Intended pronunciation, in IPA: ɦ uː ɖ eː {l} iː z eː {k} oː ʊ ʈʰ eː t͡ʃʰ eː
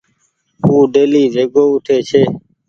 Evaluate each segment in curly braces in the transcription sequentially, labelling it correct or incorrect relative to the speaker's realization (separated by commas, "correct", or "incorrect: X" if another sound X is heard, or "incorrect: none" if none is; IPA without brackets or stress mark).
correct, incorrect: ɡ